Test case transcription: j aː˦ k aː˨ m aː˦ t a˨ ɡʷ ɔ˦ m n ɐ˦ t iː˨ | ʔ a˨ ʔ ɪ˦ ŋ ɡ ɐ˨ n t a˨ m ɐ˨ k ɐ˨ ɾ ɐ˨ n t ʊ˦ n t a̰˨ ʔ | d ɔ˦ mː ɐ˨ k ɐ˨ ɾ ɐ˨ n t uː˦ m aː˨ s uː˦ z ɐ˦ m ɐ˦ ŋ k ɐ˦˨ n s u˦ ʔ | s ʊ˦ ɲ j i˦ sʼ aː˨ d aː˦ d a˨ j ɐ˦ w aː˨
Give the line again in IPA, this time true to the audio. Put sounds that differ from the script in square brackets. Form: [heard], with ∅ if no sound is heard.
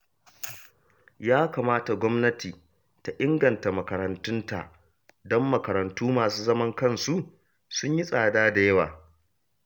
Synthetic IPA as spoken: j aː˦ k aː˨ m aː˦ t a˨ ɡʷ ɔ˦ m n ɐ˦ t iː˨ | [t] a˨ ʔ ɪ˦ ŋ ɡ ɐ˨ n t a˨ m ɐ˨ k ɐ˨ ɾ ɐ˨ n t ʊ˦ n t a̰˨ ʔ | d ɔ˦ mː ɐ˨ k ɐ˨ ɾ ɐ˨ n t uː˦ m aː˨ s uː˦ z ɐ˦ m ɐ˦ ŋ k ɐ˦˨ n s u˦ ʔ | s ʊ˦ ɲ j i˦ sʼ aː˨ d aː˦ d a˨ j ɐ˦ w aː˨

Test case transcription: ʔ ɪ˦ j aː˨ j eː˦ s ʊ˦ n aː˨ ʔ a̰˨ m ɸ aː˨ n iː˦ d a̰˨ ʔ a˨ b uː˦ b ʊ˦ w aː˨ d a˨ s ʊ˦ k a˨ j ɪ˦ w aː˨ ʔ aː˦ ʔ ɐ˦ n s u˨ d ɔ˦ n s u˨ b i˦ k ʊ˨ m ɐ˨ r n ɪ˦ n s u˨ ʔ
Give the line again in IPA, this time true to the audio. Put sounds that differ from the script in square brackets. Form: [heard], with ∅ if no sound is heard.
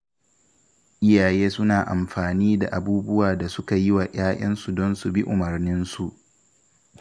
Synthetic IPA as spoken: ʔ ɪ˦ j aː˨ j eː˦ s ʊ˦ n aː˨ ʔ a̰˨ m ɸ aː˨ n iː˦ d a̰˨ ʔ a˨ b uː˦ b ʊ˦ w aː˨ d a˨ s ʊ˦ k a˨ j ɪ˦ w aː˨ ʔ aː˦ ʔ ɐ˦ n s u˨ d ɔ˦ n s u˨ b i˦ [ʔ] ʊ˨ m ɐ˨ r n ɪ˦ n s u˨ ʔ

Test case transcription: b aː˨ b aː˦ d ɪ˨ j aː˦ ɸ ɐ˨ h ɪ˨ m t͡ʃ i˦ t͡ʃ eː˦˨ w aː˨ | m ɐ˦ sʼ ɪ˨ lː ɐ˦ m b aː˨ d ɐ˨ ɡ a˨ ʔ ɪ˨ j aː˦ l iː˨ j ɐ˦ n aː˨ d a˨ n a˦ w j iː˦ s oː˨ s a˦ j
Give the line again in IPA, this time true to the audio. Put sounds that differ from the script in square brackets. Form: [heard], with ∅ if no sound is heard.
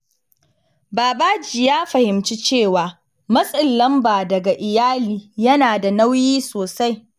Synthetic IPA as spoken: b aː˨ b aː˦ [d͡ʒ] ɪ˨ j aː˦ ɸ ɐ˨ h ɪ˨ m t͡ʃ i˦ t͡ʃ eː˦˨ w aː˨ | m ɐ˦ sʼ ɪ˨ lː ɐ˦ m b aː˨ d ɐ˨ ɡ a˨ ʔ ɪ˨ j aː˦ l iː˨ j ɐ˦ n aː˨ d a˨ n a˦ w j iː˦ s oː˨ s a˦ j

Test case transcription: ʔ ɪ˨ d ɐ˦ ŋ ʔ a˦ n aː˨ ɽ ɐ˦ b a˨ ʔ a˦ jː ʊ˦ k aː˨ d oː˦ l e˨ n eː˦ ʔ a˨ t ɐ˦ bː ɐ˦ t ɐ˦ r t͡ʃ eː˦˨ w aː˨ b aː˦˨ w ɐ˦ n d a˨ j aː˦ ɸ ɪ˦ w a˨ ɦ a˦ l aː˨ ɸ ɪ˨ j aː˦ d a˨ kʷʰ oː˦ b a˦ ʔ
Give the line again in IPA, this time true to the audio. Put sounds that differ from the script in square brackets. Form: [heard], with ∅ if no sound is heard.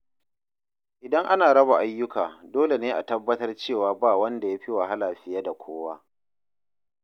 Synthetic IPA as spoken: ʔ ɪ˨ d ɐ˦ ŋ ʔ a˦ n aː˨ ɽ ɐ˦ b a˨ ʔ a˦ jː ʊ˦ k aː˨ d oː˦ l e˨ n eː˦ ʔ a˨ t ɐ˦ bː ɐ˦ t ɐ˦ r t͡ʃ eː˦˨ w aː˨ b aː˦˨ w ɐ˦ n d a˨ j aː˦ ɸ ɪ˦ w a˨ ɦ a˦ l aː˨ ɸ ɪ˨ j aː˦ d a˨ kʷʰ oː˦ [w] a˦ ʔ

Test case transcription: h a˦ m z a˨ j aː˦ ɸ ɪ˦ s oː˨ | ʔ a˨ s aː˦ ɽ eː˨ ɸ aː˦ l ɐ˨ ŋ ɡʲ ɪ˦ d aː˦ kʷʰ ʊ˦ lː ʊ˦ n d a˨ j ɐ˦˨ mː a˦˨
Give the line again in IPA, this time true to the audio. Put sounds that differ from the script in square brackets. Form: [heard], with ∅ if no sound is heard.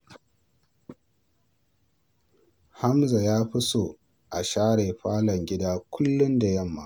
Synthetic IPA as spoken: h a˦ m z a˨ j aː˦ ɸ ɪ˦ s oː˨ | ʔ a˨ [ʃ] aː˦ ɽ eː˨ ɸ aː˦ l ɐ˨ ŋ ɡʲ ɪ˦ d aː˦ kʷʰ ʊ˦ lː ʊ˦ n d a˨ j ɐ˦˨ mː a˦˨

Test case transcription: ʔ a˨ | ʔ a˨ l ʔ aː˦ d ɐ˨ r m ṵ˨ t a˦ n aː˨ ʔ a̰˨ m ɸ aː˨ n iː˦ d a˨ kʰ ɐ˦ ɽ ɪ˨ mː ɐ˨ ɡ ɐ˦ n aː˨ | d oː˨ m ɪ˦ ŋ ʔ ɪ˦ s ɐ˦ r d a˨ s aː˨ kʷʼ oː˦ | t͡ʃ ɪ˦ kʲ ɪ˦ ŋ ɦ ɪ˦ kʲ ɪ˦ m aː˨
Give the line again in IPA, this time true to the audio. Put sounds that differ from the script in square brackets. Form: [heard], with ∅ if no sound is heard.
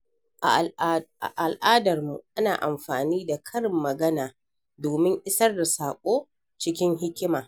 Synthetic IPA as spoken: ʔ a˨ | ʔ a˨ l ʔ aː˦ d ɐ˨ r m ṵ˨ [ʔ] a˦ n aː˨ ʔ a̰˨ m ɸ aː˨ n iː˦ d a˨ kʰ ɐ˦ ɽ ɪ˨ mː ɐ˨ ɡ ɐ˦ n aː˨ | d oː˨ m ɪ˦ ŋ ʔ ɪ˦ s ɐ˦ r d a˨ s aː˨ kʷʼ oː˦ | t͡ʃ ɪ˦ kʲ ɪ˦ ŋ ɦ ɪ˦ kʲ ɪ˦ m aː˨

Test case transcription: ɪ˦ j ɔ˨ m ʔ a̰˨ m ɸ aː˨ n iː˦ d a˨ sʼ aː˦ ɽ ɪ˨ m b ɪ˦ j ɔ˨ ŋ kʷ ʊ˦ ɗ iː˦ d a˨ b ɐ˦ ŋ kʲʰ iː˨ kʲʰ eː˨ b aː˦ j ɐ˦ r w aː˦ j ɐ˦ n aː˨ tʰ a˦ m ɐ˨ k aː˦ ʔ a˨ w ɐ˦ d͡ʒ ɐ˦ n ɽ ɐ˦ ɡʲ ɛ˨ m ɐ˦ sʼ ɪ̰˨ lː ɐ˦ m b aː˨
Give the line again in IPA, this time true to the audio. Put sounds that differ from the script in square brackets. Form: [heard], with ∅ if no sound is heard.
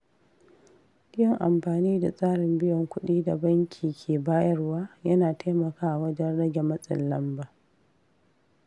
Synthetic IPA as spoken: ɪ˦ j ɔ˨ [ŋ] ʔ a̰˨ m ɸ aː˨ n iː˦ d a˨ sʼ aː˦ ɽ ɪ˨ m b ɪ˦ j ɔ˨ ŋ kʷ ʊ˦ ɗ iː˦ d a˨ b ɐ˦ ŋ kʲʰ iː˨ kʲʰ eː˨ b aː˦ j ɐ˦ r w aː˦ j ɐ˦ n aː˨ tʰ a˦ m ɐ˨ k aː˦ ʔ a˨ w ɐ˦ d͡ʒ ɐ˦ n ɽ ɐ˦ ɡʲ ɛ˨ m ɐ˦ sʼ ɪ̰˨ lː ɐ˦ m b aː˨

